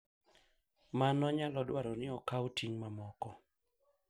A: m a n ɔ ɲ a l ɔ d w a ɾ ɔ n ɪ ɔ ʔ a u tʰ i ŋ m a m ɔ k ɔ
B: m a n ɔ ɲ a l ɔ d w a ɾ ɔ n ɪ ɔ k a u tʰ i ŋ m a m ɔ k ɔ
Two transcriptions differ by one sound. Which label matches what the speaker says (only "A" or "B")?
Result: B